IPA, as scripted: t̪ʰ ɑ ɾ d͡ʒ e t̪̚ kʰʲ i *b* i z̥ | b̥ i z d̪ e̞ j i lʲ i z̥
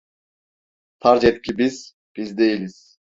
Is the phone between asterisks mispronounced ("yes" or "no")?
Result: no